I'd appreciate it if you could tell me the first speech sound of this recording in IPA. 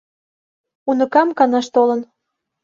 u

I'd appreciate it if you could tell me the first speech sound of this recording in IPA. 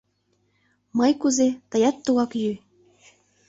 m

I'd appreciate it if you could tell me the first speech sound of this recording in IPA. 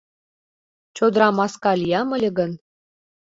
t͡ɕ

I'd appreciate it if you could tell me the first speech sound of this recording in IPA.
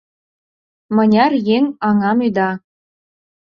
m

